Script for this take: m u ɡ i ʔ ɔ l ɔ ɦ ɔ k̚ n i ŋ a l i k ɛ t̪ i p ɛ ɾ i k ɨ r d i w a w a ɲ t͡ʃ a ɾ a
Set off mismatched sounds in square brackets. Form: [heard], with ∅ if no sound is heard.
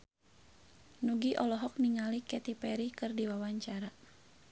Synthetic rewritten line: [n] u ɡ i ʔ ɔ l ɔ ɦ ɔ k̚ n i ŋ a l i k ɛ t̪ i p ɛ ɾ i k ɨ r d i w a w a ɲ t͡ʃ a ɾ a